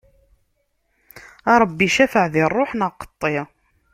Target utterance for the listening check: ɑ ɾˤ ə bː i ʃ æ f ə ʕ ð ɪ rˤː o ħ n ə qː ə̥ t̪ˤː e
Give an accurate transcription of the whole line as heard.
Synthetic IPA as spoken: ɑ ɾˤ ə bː i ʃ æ f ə ʕ ð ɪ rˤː o ħ n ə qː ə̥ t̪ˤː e